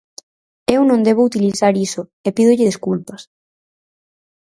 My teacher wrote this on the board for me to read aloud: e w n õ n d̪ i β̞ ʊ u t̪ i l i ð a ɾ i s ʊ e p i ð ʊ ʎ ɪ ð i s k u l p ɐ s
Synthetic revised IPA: e w n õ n d̪ e β̞ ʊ u t̪ i l i θ a ɾ i s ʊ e p i ð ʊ ʎ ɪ ð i s k u l p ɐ s